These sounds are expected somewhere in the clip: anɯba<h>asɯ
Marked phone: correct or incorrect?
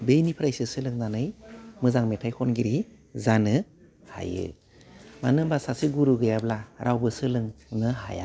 incorrect